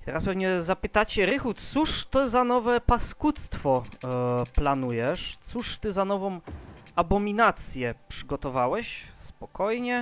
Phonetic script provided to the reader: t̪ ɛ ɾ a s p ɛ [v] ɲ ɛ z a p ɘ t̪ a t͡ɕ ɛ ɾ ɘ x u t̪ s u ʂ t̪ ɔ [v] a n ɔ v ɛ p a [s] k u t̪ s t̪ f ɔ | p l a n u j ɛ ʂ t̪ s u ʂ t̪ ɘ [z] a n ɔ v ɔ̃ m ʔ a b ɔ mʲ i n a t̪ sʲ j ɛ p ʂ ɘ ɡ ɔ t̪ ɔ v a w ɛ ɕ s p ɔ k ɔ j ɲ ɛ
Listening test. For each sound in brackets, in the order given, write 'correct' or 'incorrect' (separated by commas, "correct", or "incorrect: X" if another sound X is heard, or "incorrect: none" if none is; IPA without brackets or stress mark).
correct, incorrect: z, correct, correct